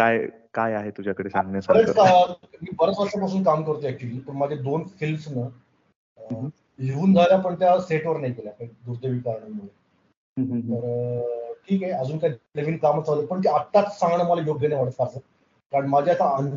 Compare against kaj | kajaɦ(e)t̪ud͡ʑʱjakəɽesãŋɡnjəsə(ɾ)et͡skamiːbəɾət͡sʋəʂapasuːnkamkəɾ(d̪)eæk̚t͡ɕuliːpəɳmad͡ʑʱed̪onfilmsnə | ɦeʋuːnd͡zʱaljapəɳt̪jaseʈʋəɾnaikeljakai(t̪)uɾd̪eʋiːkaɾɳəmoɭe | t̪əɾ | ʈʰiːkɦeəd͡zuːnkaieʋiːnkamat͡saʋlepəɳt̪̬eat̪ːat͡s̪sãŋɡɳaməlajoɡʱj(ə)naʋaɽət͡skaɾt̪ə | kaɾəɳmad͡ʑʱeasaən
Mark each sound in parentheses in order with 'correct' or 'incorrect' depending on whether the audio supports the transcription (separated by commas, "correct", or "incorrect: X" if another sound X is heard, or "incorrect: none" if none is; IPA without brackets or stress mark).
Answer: correct, correct, incorrect: t̪, incorrect: d̪, correct